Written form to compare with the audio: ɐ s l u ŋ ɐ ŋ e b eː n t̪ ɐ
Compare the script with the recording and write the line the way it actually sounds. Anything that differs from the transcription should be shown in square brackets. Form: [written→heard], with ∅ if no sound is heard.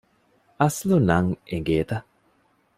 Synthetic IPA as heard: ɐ s l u [ŋ→n] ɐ ŋ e [b→ɡ] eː [n→∅] t̪ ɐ